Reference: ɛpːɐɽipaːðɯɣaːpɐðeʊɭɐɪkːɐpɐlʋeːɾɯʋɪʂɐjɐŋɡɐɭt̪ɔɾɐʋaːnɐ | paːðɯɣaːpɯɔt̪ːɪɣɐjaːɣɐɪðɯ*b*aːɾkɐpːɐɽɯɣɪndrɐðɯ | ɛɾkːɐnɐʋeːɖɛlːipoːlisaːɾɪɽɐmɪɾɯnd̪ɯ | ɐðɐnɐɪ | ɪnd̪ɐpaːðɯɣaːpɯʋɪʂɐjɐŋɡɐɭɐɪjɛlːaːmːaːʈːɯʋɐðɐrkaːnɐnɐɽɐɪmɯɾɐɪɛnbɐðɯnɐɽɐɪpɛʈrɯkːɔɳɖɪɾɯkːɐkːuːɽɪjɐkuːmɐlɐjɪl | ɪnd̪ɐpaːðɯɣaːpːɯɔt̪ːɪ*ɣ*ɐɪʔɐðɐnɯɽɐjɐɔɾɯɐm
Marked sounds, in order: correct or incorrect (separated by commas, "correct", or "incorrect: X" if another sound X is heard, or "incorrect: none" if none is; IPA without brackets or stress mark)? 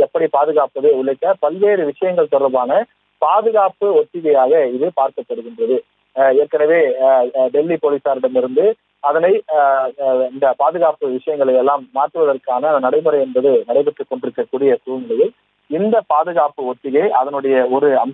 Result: incorrect: p, correct